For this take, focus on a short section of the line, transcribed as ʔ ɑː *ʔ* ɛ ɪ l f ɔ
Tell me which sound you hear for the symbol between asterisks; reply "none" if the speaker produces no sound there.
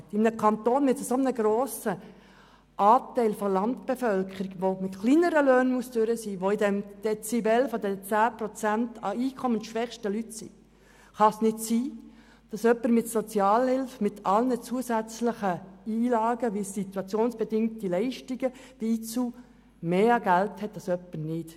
t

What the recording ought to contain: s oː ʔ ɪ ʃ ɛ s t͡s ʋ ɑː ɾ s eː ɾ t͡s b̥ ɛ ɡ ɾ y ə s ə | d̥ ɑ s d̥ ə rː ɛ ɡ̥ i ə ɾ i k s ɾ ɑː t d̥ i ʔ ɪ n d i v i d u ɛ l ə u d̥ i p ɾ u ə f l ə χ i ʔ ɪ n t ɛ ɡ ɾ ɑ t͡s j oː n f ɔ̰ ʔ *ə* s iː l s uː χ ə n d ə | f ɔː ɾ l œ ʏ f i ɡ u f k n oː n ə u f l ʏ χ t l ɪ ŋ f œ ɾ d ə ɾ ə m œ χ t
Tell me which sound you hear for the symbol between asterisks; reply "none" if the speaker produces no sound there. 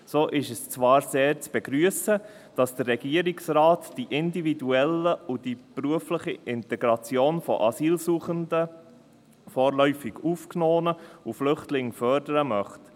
ɑ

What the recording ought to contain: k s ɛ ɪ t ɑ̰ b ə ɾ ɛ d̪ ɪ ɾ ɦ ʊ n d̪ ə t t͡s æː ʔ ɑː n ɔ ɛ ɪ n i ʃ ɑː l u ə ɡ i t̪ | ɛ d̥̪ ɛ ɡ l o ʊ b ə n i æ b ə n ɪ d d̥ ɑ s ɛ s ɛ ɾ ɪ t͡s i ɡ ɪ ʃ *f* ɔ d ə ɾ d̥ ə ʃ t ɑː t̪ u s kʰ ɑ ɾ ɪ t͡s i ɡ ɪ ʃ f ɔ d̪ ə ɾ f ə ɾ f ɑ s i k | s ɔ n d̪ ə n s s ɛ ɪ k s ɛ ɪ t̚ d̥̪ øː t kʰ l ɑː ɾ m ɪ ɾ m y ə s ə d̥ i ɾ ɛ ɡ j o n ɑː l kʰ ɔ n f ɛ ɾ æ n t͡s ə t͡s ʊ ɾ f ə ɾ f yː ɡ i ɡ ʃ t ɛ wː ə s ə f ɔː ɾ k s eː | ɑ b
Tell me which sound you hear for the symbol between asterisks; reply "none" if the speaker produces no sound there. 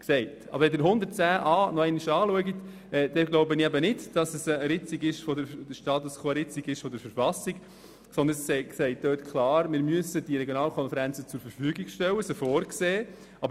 f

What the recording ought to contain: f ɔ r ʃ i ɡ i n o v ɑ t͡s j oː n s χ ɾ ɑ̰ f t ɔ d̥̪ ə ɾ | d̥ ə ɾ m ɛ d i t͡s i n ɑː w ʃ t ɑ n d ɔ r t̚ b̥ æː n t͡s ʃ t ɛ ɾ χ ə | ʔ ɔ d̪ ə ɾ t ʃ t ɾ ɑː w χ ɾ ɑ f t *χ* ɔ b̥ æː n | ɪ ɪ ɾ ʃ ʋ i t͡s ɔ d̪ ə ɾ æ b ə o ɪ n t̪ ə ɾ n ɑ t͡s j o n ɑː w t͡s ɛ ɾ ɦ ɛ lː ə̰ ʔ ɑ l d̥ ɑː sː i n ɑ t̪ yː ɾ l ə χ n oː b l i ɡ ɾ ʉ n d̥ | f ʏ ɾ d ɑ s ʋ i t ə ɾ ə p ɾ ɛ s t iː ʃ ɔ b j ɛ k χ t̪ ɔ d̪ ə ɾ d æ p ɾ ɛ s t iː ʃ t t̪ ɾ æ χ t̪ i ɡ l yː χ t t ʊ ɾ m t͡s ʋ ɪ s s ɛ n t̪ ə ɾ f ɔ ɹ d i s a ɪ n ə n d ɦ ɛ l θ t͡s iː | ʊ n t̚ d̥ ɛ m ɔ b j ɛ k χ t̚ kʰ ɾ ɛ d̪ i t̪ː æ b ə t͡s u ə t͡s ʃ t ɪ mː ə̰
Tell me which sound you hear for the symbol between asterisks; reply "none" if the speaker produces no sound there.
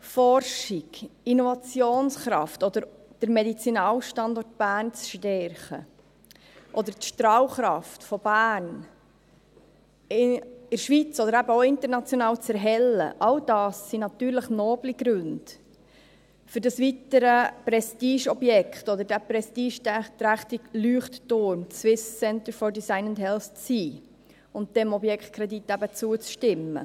f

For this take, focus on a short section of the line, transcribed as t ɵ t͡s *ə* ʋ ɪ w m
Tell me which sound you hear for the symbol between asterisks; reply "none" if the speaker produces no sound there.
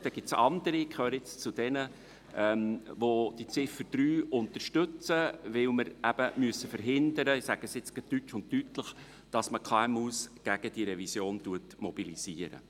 ə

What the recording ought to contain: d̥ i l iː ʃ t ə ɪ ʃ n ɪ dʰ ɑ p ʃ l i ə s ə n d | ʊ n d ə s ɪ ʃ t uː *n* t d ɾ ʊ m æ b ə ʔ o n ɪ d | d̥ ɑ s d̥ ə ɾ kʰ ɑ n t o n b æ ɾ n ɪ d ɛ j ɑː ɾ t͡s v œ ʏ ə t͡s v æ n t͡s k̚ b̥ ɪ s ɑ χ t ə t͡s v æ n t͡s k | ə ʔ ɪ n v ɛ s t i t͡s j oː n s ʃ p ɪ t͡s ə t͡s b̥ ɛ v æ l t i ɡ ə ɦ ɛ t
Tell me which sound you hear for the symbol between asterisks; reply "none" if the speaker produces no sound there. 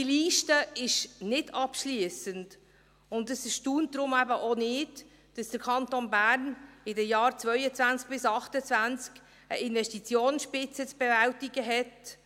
n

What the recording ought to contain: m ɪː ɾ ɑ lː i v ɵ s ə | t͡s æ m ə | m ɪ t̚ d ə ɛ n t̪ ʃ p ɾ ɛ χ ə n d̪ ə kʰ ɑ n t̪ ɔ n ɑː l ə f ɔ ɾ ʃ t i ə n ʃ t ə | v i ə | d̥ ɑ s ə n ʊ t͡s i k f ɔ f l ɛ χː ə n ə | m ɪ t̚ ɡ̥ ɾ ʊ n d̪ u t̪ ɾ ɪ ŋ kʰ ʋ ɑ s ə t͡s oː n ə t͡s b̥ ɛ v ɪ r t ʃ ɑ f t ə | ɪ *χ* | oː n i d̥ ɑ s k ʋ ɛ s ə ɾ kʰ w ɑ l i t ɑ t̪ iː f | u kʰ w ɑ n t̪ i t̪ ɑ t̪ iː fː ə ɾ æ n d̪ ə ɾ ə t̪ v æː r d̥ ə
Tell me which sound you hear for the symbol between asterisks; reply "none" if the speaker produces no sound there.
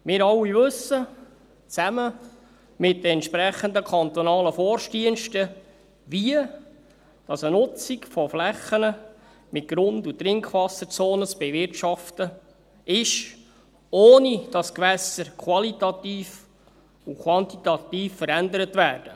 ʃ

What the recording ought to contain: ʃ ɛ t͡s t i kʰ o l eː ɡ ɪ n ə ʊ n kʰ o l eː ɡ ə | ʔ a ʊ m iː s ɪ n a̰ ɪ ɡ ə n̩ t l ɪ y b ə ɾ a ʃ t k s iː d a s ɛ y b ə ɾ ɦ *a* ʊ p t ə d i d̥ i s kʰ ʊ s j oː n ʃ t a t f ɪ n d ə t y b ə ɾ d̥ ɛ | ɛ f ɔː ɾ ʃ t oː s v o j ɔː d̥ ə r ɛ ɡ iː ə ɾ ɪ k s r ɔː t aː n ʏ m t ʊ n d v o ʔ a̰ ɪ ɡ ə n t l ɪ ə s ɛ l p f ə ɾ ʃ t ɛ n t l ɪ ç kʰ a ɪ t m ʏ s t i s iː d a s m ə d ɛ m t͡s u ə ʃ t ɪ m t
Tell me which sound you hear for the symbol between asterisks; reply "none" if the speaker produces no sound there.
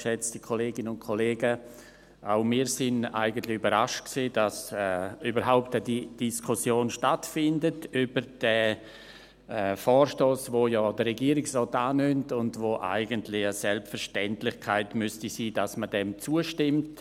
a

